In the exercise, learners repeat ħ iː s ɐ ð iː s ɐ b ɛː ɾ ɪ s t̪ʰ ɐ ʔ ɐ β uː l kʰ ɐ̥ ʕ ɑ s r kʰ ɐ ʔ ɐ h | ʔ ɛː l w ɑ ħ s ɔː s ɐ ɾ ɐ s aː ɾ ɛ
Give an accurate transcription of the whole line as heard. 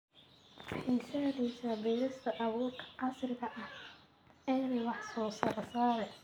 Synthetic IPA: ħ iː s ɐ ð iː s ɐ b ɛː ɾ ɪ s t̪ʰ ɐ ʔ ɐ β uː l kʰ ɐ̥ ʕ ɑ s r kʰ ɐ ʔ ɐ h | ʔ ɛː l w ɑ ħ s ɔː s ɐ ɾ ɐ s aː ɾ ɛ

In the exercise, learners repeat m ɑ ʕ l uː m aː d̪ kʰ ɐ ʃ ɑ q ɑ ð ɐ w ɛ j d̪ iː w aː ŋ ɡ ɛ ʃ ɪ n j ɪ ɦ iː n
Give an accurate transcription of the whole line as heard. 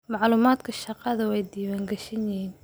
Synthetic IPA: m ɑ ʕ l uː m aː d̪ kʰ ɐ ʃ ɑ q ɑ ð ɐ w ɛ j d̪ iː w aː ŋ ɡ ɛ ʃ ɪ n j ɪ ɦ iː n

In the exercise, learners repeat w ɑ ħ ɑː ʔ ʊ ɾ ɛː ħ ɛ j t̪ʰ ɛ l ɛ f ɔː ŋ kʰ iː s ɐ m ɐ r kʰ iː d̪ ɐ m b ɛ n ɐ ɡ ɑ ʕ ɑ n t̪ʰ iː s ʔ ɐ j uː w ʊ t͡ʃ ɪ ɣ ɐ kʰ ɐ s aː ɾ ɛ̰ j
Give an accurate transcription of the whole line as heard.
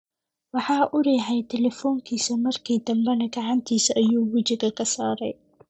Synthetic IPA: w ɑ ħ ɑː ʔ ʊ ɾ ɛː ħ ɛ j t̪ʰ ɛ l ɛ f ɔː ŋ kʰ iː s ɐ m ɐ r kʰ iː d̪ ɐ m b ɛ n ɐ ɡ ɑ ʕ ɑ n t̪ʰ iː s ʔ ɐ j uː w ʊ t͡ʃ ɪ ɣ ɐ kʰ ɐ s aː ɾ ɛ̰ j

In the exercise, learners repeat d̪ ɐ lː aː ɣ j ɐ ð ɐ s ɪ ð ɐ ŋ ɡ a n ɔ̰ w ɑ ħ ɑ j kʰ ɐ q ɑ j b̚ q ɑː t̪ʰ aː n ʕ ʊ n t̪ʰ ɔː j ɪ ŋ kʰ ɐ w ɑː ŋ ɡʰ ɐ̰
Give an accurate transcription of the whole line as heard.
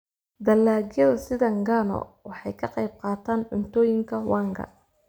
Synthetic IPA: d̪ ɐ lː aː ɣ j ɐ ð ɐ s ɪ ð ɐ ŋ ɡ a n ɔ̰ w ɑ ħ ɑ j kʰ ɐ q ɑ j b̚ q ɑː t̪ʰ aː n ʕ ʊ n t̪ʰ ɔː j ɪ ŋ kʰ ɐ w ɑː ŋ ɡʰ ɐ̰

